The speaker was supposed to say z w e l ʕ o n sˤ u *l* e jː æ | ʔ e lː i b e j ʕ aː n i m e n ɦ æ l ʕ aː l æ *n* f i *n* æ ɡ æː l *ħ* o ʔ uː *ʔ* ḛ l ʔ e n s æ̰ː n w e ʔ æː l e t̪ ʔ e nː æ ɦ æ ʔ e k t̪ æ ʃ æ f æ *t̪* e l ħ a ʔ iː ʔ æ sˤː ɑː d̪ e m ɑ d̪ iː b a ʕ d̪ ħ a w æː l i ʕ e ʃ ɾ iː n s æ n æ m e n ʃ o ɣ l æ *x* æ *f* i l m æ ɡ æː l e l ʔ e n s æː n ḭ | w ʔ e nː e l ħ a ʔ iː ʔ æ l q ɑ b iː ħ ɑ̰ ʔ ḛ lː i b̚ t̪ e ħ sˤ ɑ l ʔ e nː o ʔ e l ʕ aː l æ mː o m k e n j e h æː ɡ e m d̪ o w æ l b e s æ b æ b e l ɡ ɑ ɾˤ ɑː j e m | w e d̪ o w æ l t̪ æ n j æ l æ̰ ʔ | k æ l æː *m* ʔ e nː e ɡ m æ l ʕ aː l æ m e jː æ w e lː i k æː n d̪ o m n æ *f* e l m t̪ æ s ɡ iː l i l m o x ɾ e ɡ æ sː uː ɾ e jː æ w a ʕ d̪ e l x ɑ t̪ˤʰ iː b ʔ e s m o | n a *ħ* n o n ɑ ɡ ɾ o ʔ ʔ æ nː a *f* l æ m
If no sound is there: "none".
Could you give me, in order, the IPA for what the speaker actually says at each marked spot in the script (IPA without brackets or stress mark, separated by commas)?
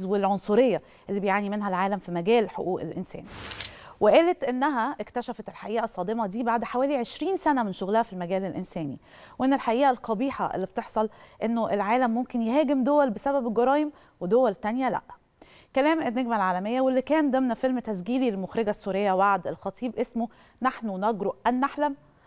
ɾ, m, m, ħ, ʔ, t̪, h, f, m, f, ħ, ħ